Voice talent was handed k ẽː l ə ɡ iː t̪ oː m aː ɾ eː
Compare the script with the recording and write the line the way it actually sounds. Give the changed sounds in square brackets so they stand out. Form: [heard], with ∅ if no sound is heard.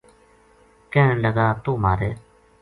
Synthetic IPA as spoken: k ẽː l ə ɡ [aː] t̪ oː m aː ɾ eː